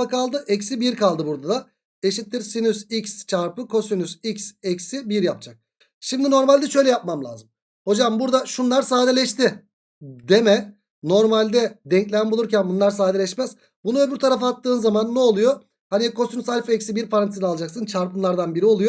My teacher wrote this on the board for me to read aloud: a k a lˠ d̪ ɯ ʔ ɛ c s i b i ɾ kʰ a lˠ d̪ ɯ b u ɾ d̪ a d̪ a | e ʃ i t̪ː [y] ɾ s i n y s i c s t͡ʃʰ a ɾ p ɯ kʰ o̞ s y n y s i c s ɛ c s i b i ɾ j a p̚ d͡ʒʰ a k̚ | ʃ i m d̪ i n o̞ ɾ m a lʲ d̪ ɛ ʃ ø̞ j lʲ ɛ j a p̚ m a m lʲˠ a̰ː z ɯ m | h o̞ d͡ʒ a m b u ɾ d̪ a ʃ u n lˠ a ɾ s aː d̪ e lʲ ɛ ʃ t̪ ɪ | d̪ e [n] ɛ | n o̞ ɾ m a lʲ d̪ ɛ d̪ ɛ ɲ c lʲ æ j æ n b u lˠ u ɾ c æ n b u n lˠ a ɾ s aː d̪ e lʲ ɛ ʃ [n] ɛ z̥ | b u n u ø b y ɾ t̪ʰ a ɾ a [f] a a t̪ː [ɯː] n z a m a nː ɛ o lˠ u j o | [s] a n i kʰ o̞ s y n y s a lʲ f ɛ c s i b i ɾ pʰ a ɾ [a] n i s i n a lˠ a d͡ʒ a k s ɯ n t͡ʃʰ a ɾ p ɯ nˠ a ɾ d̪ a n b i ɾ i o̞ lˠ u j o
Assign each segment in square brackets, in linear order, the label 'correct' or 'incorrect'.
incorrect: i, incorrect: m, incorrect: m, correct, correct, incorrect: h, correct

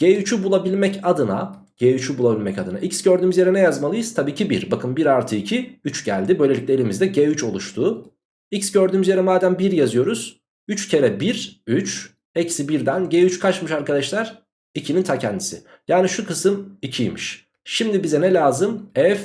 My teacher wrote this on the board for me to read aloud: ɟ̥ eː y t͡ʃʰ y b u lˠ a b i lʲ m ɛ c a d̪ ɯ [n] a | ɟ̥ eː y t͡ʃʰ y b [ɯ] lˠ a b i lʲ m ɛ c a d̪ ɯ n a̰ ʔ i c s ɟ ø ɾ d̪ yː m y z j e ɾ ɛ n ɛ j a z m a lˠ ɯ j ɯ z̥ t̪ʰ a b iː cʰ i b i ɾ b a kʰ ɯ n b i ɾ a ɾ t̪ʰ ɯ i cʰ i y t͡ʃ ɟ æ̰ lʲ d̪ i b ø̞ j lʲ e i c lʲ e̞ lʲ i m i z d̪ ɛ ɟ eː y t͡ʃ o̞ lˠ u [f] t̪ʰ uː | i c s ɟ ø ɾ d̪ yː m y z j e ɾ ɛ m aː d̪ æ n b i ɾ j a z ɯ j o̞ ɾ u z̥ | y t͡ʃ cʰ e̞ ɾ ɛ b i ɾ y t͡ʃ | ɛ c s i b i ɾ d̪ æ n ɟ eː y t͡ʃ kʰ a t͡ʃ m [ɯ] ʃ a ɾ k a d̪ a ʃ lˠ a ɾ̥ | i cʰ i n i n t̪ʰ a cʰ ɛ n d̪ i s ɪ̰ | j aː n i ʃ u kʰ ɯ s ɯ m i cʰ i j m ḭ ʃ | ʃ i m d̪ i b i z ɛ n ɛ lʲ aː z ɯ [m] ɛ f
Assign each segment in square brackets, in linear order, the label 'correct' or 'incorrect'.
correct, incorrect: u, incorrect: ʃ, correct, correct

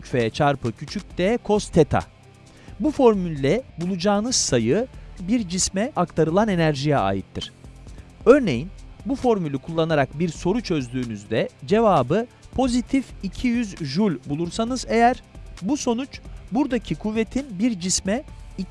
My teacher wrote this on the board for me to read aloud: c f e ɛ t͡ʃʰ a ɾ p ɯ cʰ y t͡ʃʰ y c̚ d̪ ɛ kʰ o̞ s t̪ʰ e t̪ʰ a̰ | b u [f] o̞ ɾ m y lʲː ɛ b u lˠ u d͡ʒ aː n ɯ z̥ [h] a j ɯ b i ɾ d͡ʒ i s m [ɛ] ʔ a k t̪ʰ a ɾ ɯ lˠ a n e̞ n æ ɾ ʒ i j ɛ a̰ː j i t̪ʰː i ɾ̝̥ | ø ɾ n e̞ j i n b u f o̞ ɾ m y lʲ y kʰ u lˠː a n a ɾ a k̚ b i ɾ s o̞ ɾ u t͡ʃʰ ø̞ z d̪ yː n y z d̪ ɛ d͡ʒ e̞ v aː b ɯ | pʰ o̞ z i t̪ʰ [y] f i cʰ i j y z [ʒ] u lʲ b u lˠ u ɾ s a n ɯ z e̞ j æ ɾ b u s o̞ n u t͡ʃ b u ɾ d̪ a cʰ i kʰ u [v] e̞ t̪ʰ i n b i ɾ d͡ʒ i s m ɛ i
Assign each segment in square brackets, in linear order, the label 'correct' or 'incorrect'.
correct, incorrect: s, correct, incorrect: i, correct, incorrect: vː

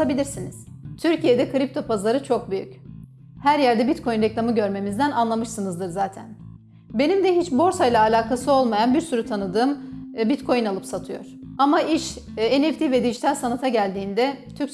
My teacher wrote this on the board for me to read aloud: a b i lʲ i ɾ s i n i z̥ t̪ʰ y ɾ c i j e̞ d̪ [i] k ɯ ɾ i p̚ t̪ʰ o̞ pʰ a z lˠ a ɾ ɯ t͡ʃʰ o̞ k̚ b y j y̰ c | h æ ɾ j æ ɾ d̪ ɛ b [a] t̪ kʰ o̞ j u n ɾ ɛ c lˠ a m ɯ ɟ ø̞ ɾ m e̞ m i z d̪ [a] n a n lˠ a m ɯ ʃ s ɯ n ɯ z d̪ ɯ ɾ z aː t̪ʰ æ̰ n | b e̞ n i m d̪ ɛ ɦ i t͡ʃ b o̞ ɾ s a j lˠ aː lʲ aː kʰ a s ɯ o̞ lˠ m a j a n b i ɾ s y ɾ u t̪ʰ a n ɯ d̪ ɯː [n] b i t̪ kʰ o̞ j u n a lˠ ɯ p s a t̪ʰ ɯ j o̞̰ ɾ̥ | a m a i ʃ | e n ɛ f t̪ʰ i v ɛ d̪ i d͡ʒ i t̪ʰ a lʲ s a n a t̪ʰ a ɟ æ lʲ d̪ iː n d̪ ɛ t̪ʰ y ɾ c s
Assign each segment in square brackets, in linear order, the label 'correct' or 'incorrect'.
incorrect: ɛ, incorrect: i, incorrect: æ, incorrect: m

